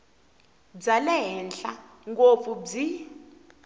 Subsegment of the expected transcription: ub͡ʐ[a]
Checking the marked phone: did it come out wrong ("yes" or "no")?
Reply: yes